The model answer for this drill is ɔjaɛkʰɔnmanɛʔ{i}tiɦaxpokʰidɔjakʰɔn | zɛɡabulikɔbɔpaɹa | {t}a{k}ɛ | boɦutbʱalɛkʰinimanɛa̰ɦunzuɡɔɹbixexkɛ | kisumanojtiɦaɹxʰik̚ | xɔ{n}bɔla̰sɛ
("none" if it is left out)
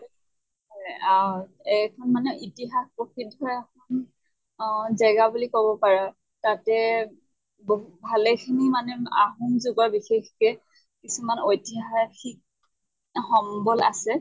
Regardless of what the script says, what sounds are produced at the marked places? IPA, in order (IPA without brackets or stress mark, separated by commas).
i, t, t, m